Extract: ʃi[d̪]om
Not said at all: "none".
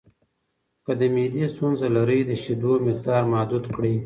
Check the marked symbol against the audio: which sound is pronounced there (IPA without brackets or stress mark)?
d̪